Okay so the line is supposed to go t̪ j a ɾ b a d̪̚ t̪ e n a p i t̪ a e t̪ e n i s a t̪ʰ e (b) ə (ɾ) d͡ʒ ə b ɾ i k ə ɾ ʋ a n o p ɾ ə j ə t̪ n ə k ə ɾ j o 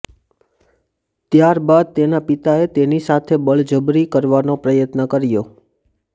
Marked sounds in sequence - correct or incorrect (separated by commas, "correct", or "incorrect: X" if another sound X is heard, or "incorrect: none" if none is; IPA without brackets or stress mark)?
correct, incorrect: ɭ